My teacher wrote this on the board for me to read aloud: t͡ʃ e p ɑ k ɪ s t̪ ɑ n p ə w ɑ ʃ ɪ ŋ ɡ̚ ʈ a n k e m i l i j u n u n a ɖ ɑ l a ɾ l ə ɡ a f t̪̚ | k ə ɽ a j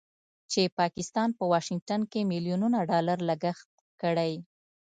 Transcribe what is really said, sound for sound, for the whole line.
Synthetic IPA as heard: t͡ʃ e p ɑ k ɪ s t̪ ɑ n p ə w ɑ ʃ ɪ ŋ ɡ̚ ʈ a n k e m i l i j u n u n a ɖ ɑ l a ɾ l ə ɡ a x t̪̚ | k ə ɽ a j